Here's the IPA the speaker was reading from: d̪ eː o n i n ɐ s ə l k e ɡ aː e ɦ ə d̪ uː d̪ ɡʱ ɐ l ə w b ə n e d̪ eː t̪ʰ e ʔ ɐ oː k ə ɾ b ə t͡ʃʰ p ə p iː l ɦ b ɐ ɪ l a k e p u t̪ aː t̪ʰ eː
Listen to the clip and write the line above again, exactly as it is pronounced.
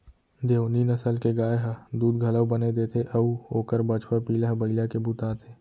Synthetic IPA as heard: d̪ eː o n i n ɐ s ə l k e ɡ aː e ɦ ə d̪ uː d̪ ɡʱ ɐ l ə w b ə n e d̪ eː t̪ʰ e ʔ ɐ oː k ə ɾ b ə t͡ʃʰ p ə p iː l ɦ b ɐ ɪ l a k e b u t̪ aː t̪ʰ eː